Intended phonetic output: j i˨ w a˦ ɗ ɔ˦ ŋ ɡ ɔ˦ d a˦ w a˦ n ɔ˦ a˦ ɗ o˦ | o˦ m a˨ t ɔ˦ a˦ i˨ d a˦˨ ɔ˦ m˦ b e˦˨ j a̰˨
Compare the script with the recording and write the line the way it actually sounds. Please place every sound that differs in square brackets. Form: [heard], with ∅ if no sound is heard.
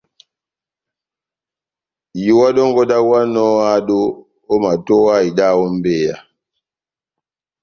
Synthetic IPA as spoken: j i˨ w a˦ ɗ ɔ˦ ŋ ɡ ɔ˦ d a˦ w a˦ n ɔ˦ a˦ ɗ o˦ | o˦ m a˨ t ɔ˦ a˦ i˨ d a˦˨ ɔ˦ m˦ b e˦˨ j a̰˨